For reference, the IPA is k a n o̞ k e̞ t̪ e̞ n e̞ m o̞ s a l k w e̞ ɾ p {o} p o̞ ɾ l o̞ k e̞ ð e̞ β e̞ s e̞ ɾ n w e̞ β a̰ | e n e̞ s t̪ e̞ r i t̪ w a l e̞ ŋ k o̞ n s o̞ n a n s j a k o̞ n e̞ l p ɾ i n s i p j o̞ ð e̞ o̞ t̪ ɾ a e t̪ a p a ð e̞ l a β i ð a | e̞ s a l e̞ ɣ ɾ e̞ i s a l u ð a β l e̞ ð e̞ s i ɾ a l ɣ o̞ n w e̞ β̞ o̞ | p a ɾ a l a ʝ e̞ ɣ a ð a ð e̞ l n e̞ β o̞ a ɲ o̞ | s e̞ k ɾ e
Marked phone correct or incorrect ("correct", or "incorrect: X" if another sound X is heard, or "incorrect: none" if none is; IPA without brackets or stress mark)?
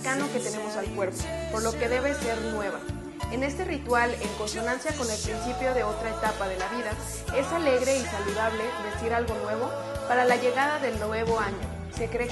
correct